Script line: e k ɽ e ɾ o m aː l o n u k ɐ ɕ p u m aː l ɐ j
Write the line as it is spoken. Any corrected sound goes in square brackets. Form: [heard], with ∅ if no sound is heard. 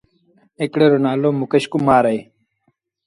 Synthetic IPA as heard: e k ɽ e ɾ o [n] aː l o [m] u k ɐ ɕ [k] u m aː [ɾ] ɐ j